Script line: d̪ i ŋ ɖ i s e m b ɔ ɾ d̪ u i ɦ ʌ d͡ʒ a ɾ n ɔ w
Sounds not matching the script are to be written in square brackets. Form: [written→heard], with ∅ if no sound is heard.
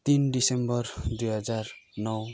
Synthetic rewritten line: [d̪→t̪] i [ŋ→n] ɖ i s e m b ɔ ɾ d̪ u [i→j] ɦ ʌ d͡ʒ a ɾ n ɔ w